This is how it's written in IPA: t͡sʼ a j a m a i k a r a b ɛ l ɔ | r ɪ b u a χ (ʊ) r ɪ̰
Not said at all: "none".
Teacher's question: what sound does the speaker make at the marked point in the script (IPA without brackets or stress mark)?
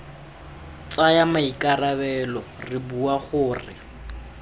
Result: ʊː